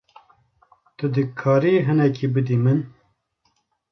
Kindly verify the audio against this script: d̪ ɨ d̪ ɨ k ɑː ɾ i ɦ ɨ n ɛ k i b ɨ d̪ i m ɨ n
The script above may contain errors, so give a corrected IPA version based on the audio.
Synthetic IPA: t̪ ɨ d̪ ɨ kʰ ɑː ɾ i ɦ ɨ n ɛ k i b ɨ d̪ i m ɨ n